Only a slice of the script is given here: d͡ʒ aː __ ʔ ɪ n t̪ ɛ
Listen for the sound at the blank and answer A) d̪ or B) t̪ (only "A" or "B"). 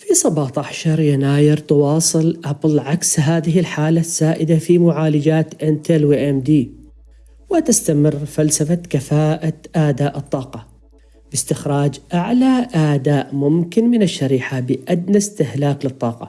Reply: B